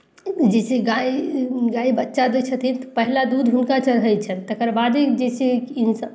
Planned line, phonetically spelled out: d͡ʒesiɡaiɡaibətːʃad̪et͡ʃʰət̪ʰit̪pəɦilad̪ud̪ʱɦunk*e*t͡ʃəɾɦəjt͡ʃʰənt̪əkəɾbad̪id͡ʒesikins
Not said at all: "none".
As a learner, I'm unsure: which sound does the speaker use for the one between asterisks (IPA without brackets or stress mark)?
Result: a